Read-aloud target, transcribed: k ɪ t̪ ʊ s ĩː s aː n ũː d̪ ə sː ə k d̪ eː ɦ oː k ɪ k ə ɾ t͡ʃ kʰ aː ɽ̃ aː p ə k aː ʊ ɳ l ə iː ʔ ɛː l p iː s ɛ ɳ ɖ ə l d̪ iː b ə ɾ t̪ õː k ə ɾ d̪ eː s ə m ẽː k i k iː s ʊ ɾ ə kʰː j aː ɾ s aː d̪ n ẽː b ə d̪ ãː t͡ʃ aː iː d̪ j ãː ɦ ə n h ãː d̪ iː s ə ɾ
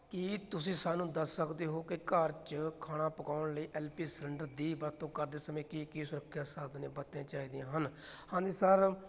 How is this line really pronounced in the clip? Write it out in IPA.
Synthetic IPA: k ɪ t̪ ʊ s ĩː s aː n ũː d̪ ə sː ə k d̪ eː ɦ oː k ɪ k ə ɾ t͡ʃ kʰ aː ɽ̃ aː p ə k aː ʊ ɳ l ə iː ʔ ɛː l p iː s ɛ ɳ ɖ ə ɾ d̪ iː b ə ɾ t̪ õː k ə ɾ d̪ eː s ə m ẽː k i k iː s ʊ ɾ ə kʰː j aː s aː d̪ n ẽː b ə t̪ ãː t͡ʃ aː iː d̪ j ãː ɦ ə n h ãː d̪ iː s ə ɾ